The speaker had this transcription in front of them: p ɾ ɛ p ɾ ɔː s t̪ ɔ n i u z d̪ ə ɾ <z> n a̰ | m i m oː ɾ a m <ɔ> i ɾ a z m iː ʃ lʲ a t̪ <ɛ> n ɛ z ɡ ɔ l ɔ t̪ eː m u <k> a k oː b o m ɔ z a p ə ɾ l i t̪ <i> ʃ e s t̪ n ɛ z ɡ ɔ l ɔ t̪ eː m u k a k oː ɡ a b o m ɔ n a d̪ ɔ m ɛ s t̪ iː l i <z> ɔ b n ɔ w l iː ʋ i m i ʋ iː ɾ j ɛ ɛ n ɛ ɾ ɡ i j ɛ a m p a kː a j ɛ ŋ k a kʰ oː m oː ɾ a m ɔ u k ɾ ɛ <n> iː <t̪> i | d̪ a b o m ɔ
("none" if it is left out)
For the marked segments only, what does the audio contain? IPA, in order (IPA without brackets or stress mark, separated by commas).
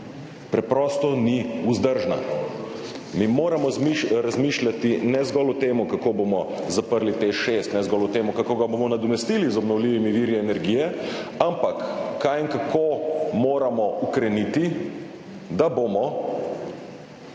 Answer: ʒ, ɔ, i, k, e, z, n, t̪